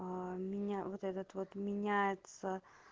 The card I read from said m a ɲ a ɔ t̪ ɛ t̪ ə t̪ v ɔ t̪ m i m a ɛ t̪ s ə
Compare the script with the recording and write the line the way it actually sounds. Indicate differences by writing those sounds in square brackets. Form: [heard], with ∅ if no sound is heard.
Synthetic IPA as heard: m [i] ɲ a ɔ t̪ ɛ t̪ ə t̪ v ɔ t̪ m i [ɲ] a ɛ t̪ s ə